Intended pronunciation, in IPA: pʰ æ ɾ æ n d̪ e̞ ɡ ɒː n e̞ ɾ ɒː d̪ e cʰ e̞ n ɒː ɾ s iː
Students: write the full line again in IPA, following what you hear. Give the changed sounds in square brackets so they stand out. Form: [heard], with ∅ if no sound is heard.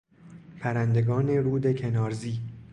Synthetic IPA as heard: pʰ æ ɾ æ n d̪ e̞ ɡ ɒː n e̞ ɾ [uː] d̪ e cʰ e̞ n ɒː ɾ [z] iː